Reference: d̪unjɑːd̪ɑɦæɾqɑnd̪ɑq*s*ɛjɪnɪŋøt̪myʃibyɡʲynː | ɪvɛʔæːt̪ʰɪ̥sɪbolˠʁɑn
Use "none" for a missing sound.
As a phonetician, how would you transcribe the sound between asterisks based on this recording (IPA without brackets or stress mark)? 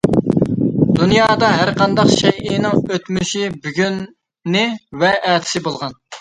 ʃ